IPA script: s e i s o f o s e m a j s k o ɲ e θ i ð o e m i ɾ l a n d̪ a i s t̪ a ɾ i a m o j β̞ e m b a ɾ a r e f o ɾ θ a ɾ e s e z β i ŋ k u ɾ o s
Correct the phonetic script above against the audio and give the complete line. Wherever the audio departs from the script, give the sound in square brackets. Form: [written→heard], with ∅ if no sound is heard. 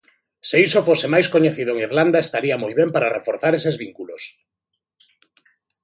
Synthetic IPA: s e i s o f o s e m a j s k o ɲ e θ i ð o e [m→ŋ] i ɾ l a n d̪ a [i→e] s t̪ a ɾ i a m o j β̞ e m [b→p] a ɾ a r e f o ɾ θ a ɾ e s e z β i ŋ k u [ɾ→l] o s